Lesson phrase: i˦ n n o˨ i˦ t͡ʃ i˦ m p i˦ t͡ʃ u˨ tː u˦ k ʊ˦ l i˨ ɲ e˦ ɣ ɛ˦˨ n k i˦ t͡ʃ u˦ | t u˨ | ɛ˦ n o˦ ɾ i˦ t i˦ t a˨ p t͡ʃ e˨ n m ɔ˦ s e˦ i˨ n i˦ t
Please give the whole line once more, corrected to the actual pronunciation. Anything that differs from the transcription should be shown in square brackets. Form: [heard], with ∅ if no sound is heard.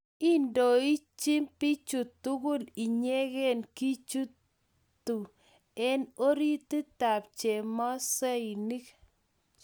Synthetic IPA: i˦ n [d] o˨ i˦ t͡ʃ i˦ m p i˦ t͡ʃ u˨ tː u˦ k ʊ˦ l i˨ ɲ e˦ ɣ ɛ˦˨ n k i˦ t͡ʃ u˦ | t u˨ | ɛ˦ n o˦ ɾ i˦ t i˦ t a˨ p t͡ʃ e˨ [∅] m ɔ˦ s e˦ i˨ n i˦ [k]